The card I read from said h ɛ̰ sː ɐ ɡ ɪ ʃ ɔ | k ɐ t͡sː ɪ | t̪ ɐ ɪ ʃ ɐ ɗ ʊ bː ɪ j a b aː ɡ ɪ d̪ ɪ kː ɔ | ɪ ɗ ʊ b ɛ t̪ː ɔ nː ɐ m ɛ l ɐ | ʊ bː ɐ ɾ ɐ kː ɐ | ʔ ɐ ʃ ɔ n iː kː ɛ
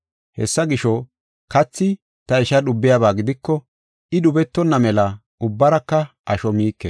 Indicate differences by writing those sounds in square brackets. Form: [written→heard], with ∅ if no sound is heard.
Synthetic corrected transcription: h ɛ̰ sː ɐ ɡ ɪ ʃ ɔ | k ɐ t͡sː ɪ | t̪ ɐ ɪ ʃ ɐ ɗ ʊ bː ɪ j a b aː ɡ ɪ d̪ ɪ kː ɔ | ɪ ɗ ʊ b ɛ t̪ː ɔ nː ɐ m ɛ l ɐ | ʊ bː ɐ ɾ ɐ kː ɐ | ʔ ɐ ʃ ɔ [n→m] iː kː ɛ